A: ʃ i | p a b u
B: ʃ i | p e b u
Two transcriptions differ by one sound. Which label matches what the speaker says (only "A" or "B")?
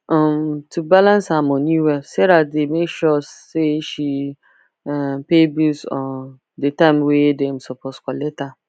B